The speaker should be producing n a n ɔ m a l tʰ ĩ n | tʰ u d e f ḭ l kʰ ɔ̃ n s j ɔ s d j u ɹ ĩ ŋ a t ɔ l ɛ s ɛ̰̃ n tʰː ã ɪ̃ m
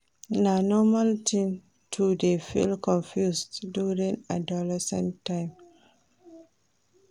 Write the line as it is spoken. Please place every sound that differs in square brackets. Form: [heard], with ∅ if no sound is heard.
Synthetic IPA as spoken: n a n ɔ m a l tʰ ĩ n | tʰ u d e f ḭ l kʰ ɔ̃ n [f] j [u] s d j u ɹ ĩ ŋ a [d] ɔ l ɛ s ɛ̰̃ n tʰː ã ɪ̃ m